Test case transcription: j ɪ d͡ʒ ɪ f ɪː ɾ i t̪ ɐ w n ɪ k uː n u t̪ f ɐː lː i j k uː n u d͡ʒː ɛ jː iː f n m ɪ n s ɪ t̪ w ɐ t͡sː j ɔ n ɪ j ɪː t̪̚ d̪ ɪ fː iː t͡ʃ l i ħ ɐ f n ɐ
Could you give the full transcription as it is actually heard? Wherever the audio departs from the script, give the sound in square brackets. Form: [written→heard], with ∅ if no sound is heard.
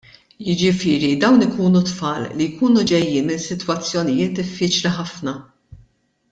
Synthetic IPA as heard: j ɪ d͡ʒ ɪ f ɪː ɾ i [t̪→d̪] ɐ w n ɪ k uː n u t̪ f ɐː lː i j k uː n u [d͡ʒː→d͡ʒ] ɛ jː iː [f→∅] n m ɪ n s ɪ t̪ w ɐ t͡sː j ɔ n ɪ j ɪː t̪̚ d̪ ɪ fː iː t͡ʃ l i ħ ɐ f n ɐ